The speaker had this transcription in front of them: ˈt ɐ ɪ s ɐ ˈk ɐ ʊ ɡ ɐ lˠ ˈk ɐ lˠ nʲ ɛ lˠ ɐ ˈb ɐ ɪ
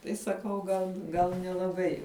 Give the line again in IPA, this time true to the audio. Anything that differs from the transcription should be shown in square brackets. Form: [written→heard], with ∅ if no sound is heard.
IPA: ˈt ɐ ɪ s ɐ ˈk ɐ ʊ ɡ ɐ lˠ [ˈk→ˈɡ] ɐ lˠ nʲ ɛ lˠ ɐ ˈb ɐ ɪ